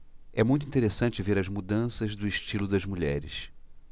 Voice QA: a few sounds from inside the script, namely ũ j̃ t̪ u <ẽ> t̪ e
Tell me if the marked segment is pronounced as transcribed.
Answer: no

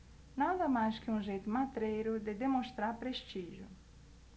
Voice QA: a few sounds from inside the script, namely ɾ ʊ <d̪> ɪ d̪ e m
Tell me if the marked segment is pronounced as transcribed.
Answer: yes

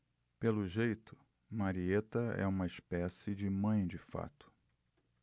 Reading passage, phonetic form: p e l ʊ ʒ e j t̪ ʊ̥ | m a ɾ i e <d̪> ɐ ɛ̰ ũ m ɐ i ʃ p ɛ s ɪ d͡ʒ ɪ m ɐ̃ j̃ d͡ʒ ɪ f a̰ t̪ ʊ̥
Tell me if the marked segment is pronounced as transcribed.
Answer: no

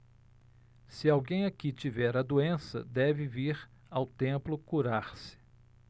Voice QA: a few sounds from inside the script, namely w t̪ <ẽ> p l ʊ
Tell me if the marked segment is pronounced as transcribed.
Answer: yes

